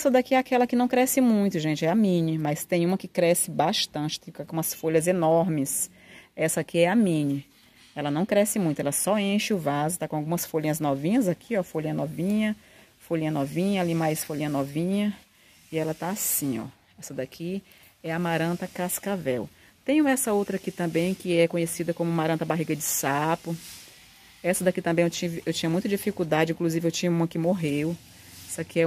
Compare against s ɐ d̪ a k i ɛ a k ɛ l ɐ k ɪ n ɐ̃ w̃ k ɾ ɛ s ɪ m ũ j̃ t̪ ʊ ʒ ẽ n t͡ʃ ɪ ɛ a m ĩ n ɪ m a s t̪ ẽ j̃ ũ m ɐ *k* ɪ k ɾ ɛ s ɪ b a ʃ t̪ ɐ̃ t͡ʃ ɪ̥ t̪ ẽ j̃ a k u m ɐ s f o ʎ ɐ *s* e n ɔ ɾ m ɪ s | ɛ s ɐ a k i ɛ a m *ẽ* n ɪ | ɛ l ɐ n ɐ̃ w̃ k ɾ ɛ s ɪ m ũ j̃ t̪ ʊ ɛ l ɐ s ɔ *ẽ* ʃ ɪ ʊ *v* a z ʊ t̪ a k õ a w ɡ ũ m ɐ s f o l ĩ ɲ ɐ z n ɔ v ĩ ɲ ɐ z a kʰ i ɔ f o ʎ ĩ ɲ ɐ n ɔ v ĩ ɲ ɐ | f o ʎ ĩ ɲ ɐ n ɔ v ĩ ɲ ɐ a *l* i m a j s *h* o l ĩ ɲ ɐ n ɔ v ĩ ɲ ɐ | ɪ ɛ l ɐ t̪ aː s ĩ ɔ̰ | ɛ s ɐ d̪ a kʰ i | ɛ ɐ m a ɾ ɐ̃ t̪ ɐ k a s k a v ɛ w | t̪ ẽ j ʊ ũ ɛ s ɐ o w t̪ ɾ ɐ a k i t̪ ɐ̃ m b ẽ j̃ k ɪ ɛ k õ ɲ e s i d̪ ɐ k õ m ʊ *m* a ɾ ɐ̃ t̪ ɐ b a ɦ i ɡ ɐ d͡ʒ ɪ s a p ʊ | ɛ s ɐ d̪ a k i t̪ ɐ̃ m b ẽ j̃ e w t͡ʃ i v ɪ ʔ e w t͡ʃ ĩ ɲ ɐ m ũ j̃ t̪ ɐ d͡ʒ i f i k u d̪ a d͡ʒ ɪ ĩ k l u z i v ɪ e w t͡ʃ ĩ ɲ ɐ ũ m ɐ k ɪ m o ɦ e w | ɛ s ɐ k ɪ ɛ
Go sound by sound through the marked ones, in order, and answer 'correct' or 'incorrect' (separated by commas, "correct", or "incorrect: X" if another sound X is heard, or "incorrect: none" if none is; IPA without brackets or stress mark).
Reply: correct, incorrect: z, incorrect: ĩ, correct, correct, correct, incorrect: f, correct